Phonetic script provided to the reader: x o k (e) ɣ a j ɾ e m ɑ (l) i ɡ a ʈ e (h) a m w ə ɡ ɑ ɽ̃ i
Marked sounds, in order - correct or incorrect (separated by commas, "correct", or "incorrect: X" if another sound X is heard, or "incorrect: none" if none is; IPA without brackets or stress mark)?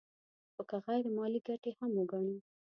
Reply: incorrect: a, correct, correct